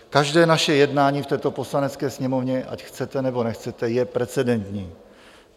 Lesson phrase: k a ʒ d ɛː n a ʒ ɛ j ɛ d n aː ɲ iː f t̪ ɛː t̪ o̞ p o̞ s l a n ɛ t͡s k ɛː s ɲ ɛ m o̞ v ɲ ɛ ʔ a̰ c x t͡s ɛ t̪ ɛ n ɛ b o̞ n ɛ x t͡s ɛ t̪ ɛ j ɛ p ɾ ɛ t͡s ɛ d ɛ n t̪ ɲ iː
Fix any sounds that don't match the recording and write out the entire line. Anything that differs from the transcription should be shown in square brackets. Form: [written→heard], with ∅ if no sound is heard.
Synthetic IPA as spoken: k a ʒ d ɛː n a [ʒ→ʃ] ɛ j ɛ d n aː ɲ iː f t̪ ɛː t̪ o̞ p o̞ s l a n ɛ t͡s k ɛː s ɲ ɛ m o̞ v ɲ ɛ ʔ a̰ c x t͡s ɛ t̪ ɛ n ɛ b o̞ n ɛ x t͡s ɛ t̪ ɛ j ɛ p ɾ ɛ t͡s ɛ d ɛ n t̪ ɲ iː